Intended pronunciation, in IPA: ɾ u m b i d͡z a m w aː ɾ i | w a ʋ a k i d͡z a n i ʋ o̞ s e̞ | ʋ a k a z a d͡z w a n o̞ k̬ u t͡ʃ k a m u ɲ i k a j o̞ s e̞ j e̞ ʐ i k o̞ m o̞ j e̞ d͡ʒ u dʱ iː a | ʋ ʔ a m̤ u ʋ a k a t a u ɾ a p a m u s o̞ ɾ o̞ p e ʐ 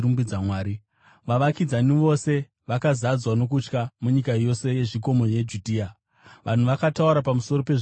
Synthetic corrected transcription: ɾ u m b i d͡z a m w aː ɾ i | ʋ a ʋ a k i d͡z a n i ʋ o̞ s e̞ | ʋ a k a z a d͡z w a n o̞ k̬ u t͡ʃ k a m u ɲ i k a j o̞ s e̞ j e̞ ʐ i k o̞ m o̞ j e̞ d͡ʒ u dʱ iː a | ʋ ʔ a n̤ u ʋ a k a t a u ɾ a p a m u s o̞ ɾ o̞ p e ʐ